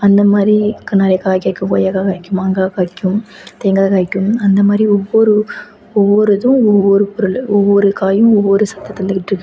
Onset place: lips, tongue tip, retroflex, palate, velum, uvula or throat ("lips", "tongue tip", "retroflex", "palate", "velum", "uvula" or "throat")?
tongue tip